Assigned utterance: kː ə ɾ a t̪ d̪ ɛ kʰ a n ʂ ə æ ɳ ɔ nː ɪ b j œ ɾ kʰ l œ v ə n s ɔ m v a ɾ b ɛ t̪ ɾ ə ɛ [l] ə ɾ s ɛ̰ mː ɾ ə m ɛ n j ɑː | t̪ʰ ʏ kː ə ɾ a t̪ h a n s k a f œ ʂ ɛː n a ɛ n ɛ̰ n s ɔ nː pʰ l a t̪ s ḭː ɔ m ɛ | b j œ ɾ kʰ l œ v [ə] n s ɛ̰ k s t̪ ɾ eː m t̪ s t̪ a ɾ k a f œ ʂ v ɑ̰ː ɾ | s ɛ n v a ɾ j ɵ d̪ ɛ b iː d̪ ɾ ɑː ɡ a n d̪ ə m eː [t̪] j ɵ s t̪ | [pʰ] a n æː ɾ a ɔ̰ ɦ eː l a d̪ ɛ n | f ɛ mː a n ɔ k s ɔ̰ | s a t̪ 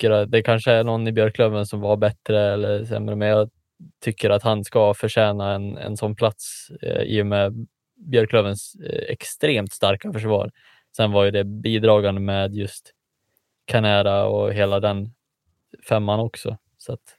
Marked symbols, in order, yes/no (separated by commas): no, yes, no, no